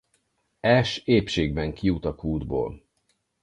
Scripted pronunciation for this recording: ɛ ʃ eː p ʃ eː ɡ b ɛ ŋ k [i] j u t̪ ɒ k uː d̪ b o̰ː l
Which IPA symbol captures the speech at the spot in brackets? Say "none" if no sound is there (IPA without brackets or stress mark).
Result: i